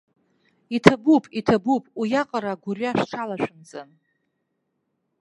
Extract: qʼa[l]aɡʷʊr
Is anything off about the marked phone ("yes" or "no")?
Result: yes